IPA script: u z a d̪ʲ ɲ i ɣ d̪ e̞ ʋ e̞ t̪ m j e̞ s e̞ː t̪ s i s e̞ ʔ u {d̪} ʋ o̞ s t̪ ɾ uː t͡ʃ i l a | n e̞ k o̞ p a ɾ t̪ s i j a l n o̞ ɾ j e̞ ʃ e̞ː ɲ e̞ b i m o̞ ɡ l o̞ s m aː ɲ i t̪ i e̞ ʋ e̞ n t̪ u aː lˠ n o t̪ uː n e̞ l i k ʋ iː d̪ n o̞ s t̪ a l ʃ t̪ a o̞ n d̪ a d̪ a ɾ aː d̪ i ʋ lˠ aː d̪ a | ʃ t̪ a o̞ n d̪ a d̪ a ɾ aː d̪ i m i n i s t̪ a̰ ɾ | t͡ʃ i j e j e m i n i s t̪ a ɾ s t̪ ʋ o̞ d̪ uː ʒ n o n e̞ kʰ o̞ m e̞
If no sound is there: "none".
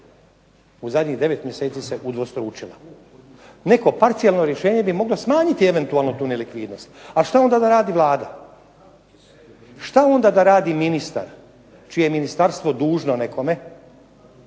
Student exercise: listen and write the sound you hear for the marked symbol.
d̪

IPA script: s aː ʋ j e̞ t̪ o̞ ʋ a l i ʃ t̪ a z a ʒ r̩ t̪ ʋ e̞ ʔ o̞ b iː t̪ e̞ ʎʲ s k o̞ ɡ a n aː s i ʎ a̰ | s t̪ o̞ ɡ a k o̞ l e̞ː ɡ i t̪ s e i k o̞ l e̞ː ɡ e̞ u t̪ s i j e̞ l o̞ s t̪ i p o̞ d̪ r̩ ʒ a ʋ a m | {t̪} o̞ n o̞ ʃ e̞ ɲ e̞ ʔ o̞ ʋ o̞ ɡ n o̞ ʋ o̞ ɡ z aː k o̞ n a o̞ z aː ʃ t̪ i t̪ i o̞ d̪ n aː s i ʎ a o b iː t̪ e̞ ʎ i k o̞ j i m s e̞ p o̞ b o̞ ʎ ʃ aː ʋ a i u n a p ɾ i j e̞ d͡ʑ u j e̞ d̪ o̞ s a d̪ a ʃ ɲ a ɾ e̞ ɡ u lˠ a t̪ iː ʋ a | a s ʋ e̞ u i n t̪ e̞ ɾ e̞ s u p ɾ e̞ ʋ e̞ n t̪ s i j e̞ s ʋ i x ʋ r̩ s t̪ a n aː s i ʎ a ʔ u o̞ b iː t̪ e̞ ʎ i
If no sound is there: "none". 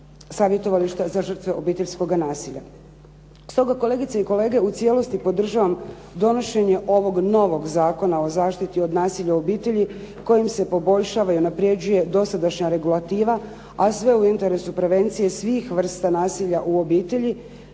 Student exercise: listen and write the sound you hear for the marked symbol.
d̪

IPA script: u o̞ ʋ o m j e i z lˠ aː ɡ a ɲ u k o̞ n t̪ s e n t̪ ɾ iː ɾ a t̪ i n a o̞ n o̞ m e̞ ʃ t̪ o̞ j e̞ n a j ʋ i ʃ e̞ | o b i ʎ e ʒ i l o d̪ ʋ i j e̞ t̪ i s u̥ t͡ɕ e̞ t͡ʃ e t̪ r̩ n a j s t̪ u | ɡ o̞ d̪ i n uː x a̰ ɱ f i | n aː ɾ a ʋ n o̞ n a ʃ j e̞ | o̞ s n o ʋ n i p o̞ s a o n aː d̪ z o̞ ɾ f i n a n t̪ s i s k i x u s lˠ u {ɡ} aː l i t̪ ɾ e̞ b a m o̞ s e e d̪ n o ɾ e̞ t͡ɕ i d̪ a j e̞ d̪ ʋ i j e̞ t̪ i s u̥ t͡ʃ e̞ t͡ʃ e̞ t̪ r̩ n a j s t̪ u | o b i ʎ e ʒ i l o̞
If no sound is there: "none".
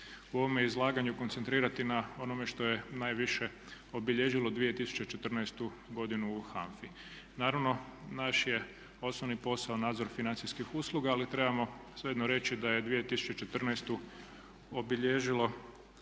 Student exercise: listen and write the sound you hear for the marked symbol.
ɡ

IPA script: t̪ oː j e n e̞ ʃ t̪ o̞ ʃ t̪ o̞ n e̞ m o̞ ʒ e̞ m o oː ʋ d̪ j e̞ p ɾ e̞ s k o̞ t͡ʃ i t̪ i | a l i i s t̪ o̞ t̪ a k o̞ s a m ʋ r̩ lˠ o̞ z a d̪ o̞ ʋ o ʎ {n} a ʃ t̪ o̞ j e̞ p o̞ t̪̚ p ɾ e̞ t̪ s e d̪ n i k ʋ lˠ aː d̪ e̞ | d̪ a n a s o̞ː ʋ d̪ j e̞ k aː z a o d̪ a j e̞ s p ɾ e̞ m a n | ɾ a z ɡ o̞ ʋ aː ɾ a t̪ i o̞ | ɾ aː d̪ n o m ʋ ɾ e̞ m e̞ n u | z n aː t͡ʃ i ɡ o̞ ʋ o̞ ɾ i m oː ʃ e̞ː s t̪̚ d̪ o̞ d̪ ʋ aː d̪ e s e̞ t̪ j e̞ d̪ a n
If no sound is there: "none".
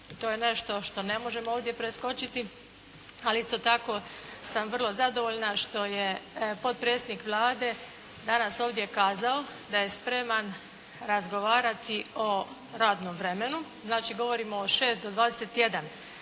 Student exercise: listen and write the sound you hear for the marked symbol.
n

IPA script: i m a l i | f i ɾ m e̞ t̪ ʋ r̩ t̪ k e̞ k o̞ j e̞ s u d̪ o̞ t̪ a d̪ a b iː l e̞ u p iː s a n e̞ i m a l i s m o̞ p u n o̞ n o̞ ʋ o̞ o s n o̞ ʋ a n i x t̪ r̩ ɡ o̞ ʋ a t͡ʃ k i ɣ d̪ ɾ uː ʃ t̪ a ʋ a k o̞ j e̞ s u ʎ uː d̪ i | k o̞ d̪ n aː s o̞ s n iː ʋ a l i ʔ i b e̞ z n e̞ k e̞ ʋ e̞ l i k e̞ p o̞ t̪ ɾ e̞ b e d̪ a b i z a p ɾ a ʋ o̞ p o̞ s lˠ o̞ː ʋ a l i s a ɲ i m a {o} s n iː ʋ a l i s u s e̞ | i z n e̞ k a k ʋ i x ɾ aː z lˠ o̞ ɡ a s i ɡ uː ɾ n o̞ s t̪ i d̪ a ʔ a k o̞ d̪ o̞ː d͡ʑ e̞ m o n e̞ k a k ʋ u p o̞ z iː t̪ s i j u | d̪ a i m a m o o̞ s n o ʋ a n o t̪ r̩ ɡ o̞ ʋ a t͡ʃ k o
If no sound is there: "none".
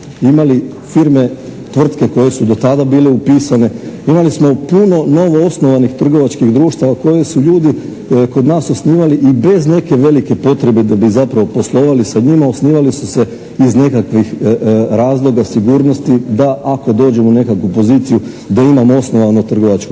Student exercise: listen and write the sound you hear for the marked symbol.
o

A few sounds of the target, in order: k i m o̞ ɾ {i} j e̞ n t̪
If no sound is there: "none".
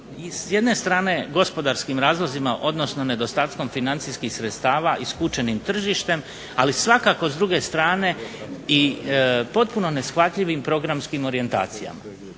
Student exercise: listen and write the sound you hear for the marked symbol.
i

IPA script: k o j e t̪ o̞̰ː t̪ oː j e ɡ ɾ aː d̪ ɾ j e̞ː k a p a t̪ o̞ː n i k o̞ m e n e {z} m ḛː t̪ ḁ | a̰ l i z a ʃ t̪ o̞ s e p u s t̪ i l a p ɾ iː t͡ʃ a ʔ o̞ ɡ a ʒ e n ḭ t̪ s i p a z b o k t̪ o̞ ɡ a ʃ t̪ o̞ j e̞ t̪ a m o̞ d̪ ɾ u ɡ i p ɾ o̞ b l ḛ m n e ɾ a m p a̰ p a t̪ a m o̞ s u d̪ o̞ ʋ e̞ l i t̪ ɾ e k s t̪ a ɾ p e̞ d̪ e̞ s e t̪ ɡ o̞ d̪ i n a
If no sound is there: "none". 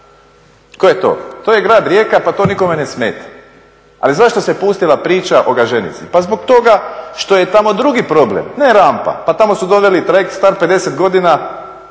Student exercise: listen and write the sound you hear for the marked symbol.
s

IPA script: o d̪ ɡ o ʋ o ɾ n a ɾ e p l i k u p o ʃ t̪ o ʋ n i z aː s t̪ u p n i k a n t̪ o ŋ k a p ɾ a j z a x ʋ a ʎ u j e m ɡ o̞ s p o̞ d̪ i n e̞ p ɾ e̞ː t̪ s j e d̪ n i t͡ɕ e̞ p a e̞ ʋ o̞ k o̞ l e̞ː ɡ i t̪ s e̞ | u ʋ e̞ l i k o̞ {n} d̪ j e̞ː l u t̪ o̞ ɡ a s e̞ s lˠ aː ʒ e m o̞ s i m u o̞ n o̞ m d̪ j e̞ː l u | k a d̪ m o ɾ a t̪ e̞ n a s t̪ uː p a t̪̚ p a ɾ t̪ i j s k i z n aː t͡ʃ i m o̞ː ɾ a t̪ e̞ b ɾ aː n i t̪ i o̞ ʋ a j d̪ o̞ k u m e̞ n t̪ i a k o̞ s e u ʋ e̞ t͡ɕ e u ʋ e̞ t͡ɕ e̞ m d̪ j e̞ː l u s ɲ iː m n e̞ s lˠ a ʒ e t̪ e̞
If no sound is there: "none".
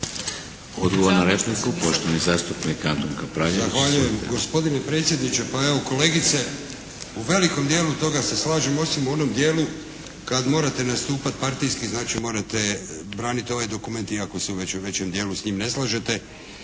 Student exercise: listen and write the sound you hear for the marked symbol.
m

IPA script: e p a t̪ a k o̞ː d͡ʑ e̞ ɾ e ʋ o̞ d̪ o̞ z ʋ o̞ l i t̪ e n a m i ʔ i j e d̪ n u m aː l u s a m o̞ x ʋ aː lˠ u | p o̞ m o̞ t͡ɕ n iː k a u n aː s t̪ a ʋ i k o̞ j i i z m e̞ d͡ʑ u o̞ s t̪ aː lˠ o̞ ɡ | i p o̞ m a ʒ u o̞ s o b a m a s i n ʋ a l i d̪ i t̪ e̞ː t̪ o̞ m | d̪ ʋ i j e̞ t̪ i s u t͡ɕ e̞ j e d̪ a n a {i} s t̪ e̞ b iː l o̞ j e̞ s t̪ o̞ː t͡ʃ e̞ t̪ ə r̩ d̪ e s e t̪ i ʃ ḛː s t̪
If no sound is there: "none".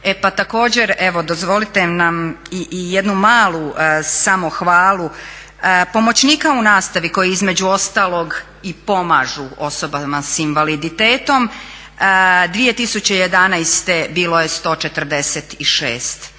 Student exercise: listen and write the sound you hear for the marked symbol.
j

